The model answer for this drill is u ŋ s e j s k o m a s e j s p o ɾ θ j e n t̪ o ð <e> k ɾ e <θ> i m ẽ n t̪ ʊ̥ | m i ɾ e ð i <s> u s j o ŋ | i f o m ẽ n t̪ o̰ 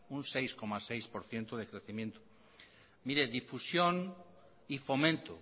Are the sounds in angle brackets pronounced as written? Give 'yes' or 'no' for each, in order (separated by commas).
yes, yes, no